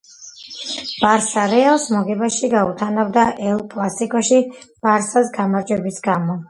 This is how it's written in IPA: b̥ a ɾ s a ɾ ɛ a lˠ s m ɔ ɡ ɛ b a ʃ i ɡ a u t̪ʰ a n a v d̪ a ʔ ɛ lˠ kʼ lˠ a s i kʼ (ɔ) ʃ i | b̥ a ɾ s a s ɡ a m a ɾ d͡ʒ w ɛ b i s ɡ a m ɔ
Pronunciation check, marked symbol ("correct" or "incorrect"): correct